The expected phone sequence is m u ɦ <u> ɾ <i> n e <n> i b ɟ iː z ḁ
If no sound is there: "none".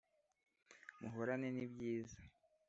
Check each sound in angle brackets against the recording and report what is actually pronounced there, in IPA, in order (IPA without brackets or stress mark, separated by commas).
o, a, n